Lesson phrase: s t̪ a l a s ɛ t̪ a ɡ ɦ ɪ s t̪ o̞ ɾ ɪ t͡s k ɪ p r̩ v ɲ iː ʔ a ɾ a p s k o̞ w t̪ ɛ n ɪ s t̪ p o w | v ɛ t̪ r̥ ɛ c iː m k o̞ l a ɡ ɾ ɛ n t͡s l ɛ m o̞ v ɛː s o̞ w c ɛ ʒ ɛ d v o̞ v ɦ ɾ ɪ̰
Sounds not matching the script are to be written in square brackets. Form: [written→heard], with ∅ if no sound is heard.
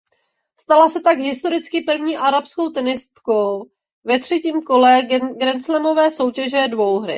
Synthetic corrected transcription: s t̪ a l a s ɛ t̪ a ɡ ɦ ɪ s t̪ o̞ ɾ ɪ t͡s k ɪ p r̩ v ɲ iː ʔ a ɾ a p s k o̞ w t̪ ɛ n ɪ s t̪ [p→k] o w | v ɛ t̪ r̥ ɛ c iː m k o̞ l [a→ɛ] ɡ ɾ ɛ n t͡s l ɛ m o̞ v ɛː s o̞ w c ɛ ʒ ɛ d v o̞ [v→w] ɦ ɾ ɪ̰